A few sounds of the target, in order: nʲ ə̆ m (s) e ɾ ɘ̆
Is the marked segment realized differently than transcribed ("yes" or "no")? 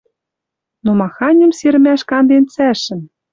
no